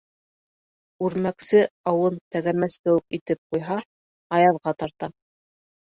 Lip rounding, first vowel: rounded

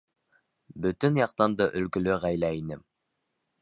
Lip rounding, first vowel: rounded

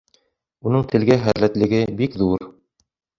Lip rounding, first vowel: rounded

